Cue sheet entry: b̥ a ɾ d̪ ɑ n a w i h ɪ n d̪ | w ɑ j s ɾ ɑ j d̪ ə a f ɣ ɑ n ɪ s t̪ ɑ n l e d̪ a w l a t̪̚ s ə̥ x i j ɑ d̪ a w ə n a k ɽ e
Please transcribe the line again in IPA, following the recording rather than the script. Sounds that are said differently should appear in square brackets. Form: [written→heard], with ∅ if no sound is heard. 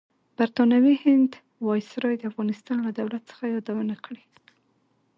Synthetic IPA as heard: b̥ a ɾ [d̪→t̪] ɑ n a w i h ɪ n d̪ | w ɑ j s ɾ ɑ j d̪ ə a f ɣ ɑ n ɪ s t̪ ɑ n l [e→a] d̪ a w l a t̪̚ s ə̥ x [i→a] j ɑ d̪ a w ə n a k ɽ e